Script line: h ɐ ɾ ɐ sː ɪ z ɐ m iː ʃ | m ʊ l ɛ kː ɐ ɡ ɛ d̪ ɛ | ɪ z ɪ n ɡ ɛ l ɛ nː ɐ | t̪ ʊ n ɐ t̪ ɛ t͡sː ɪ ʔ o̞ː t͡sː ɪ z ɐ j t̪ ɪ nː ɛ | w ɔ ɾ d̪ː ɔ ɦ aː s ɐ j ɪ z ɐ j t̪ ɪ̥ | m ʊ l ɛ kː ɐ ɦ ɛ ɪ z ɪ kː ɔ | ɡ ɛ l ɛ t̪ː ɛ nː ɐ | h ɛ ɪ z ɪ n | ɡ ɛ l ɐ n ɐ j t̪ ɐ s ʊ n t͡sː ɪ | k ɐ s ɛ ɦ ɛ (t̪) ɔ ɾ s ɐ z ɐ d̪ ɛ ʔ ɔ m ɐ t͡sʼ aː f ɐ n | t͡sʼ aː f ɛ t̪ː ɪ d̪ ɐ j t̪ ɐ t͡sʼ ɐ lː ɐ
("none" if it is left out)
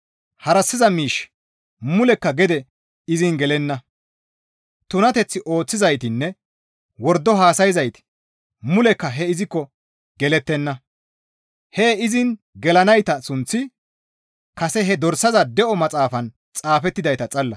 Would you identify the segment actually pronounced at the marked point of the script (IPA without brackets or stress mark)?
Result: d̪